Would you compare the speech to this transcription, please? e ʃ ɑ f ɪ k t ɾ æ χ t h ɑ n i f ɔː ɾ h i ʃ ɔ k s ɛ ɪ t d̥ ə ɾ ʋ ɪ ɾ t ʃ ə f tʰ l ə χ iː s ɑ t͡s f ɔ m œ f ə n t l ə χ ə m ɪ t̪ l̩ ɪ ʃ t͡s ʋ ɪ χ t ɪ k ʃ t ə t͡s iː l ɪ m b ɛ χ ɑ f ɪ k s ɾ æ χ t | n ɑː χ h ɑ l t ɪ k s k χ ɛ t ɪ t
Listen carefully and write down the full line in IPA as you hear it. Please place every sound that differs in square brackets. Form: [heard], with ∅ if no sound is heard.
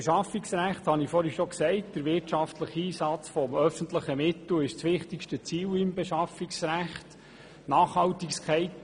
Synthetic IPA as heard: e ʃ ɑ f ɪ k [s] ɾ æ χ t h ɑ n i f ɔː ɾ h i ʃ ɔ k s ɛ ɪ t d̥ ə ɾ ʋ ɪ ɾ t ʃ [ɑ] f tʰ l ə χ iː s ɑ t͡s f ɔ m œ f ə n t l ə χ ə m ɪ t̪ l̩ ɪ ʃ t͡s ʋ ɪ χ t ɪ k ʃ t ə t͡s iː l ɪ m b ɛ [ʃ] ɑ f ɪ k s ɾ æ χ t | n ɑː χ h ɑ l t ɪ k s k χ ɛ [∅] ɪ t